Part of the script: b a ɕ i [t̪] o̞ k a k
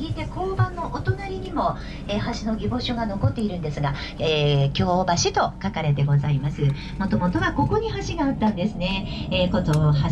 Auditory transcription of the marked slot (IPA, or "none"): t̪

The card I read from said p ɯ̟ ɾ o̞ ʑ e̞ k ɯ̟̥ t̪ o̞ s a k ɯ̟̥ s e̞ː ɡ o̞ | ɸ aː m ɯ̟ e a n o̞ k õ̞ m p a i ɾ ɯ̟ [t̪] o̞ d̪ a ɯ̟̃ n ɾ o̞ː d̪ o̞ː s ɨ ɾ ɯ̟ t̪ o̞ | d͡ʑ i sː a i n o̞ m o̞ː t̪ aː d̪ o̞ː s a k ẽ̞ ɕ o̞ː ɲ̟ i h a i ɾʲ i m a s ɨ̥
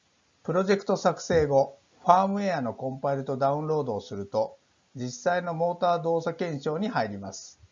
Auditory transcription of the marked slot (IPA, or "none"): t̪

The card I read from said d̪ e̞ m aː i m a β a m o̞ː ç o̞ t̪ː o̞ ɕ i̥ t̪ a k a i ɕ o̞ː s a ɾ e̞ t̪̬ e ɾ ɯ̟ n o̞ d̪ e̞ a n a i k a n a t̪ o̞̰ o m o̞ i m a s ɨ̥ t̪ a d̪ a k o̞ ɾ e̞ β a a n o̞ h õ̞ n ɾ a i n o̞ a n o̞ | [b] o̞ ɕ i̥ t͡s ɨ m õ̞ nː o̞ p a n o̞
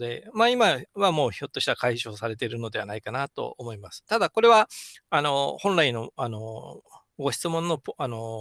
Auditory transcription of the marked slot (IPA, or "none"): ɡ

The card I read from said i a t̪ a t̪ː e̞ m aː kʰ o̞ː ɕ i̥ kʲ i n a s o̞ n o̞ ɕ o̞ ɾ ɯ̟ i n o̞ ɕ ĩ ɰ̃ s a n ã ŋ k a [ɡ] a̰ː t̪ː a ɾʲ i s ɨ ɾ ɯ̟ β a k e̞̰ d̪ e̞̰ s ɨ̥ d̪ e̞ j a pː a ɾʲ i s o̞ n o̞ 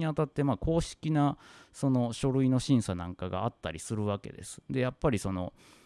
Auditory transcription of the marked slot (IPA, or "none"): ɡ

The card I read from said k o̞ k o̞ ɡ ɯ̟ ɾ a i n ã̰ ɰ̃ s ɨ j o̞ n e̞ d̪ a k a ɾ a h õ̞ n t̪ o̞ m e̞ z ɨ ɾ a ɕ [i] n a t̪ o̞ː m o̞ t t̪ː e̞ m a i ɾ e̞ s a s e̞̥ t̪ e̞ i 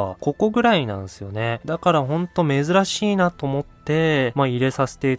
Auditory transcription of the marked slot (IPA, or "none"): iː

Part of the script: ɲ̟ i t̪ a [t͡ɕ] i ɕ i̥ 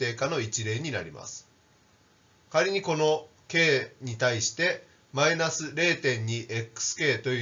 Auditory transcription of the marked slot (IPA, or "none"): none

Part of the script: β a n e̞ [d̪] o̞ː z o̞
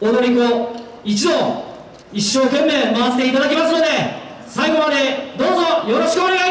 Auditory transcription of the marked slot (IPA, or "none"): d̪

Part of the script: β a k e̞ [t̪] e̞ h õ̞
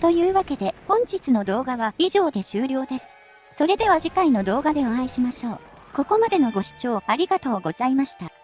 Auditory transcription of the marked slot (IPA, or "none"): d̪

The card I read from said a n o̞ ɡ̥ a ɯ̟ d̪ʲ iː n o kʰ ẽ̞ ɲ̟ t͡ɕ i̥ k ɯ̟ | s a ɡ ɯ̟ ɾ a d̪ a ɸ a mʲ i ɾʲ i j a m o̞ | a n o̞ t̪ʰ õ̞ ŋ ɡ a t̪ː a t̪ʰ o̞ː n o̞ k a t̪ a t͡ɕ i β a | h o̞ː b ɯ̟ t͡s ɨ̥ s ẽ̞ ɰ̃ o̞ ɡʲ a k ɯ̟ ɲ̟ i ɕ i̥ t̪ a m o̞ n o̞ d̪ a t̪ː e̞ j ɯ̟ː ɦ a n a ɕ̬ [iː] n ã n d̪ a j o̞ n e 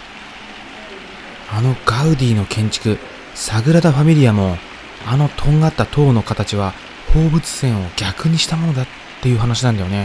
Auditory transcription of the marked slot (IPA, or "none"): i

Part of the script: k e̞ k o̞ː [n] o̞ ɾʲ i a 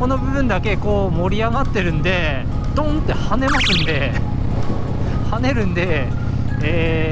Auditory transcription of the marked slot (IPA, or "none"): m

